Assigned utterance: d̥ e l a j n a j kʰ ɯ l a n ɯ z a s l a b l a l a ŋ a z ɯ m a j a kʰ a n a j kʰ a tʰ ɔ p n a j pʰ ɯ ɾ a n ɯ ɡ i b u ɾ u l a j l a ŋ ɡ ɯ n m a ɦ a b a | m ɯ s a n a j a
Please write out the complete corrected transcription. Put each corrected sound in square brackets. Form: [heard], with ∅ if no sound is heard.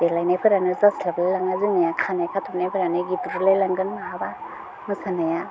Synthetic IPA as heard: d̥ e l a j n a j [pʰ] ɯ [ɾ] a n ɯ z a s l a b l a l a ŋ a z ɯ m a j a kʰ a n a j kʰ a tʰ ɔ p n a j pʰ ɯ ɾ a n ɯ ɡ i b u ɾ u l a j l a ŋ ɡ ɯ n m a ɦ a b a | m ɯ s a n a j a

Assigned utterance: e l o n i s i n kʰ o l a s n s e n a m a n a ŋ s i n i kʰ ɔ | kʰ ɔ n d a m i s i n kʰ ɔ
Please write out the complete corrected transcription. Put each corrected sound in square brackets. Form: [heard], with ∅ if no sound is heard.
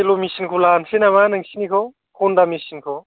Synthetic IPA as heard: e l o [m] i s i n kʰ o l a [∅] n s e n a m a n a ŋ s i n i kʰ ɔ | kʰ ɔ n d a m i s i n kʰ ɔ

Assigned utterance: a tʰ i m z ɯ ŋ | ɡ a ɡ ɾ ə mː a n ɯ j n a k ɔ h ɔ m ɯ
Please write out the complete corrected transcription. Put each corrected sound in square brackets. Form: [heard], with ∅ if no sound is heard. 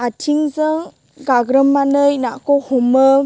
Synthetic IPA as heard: a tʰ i [ŋ] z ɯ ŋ | ɡ a ɡ ɾ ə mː a n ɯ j n a k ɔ h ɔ m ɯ

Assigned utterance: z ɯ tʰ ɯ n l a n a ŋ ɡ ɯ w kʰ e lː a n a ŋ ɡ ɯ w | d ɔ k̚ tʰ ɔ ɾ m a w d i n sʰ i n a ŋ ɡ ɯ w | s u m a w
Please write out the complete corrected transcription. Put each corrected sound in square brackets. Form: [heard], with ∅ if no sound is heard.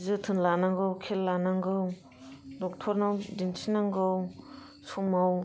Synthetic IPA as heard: z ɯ tʰ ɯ n l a n a ŋ ɡ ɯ w kʰ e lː a n a ŋ ɡ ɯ w | d ɔ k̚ tʰ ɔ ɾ [n] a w d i n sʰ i n a ŋ ɡ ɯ w | s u m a w

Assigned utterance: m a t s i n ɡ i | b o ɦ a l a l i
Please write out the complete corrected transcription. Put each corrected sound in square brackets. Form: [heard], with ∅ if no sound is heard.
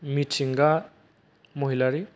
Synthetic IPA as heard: m [i] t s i [ŋ] ɡ [a] | [m] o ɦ [i] l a [ɾ] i

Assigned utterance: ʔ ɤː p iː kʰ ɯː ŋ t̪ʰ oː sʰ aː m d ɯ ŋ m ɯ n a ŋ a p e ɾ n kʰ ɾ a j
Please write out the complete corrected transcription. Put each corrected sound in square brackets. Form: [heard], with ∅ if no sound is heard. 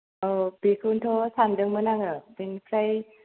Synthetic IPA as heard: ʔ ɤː p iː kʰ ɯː [n] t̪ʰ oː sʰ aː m d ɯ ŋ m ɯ n a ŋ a p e [∅] n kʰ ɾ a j

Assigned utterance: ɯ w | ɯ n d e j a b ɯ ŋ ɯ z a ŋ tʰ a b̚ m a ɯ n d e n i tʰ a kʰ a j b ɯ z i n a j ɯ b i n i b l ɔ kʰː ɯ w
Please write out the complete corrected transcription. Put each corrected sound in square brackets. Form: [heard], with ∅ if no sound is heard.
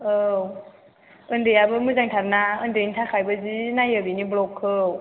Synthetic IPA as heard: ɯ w | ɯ n d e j a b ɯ [m] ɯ z a ŋ tʰ a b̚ [n] a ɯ n d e n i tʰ a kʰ a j b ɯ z i n a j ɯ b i n i b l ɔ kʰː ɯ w

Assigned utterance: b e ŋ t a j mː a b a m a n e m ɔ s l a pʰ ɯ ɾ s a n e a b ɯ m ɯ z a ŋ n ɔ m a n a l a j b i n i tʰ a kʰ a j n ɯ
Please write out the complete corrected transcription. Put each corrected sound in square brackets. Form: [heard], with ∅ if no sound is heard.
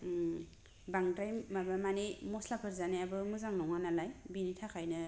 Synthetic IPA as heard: b [a] ŋ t a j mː a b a m a n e m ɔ s l a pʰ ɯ ɾ [z] a n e a b ɯ m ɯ z a ŋ n ɔ [ŋ] a n a l a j b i n i tʰ a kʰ a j n ɯ

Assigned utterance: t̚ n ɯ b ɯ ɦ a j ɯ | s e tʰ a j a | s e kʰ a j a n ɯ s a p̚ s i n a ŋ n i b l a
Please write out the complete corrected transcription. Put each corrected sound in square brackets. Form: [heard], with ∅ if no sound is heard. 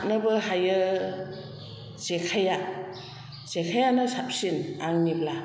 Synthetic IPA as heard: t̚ n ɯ b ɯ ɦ a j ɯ | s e [kʰ] a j a | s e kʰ a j a n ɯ s a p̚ s i n a ŋ n i b l a

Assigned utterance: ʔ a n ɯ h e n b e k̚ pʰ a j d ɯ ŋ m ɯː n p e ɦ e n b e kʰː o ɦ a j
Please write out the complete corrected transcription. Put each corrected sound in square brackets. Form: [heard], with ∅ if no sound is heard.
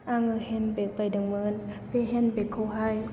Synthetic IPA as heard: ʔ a [ŋ] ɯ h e n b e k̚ [p] a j d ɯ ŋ m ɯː n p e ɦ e n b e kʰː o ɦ a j

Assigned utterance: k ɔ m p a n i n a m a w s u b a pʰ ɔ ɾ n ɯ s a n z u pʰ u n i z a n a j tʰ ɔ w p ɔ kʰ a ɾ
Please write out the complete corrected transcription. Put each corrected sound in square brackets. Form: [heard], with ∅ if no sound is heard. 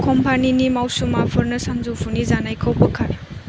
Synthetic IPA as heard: k ɔ m p a n i n [i] m a w s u [m] a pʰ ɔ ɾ n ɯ s a n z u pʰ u n i z a n a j [kʰ] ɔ w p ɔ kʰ a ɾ

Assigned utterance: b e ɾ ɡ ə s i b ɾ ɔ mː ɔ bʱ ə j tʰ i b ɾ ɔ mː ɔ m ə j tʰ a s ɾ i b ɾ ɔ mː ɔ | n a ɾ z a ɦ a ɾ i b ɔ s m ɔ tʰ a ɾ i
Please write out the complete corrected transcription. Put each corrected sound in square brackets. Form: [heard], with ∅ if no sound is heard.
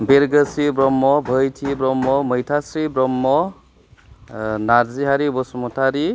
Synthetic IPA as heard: b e ɾ ɡ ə s i b ɾ ɔ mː ɔ bʱ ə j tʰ i b ɾ ɔ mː ɔ m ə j tʰ a s ɾ i b ɾ ɔ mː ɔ | n a ɾ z [i] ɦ a ɾ i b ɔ s m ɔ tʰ a ɾ i

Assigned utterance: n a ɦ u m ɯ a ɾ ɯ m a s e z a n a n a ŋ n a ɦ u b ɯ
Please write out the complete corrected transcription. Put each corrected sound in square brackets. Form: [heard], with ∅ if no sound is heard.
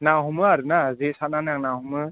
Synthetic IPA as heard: n a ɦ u m ɯ a ɾ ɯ [n] a [z] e [s] a n a n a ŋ n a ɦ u [m] ɯ

